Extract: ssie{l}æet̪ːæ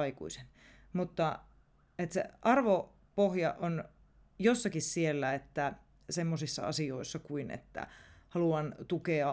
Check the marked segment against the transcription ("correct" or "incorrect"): incorrect